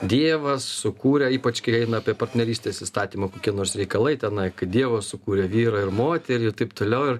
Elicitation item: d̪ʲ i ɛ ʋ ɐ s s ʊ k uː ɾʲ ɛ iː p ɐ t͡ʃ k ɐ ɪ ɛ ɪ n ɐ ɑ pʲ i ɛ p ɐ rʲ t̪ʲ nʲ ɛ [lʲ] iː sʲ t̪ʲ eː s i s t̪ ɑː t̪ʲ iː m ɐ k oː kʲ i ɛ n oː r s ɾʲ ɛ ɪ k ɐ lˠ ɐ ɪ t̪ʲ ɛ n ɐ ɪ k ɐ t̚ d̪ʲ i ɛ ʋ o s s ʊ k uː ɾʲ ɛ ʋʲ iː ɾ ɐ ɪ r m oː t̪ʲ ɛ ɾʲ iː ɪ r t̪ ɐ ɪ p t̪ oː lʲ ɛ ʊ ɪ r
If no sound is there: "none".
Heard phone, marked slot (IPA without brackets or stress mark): ɾʲ